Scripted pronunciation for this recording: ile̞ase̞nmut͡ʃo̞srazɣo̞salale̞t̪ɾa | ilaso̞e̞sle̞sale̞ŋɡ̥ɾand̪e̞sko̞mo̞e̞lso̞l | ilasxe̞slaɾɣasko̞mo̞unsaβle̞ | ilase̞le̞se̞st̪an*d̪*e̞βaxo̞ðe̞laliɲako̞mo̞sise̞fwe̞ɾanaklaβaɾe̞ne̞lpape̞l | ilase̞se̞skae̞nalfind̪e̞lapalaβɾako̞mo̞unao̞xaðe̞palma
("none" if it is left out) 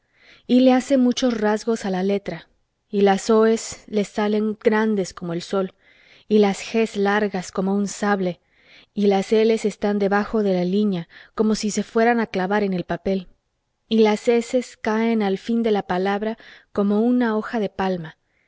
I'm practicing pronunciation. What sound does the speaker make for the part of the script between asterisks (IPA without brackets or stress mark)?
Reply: d̪